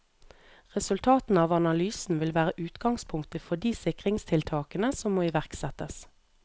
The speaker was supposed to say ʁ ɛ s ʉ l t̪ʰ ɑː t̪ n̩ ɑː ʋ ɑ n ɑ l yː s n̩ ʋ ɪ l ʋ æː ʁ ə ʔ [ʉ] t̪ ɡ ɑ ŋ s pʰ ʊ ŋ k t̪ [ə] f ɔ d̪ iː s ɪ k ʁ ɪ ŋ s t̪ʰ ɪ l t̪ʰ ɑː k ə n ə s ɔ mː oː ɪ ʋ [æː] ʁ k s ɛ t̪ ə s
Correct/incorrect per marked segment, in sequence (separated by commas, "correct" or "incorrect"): incorrect, correct, incorrect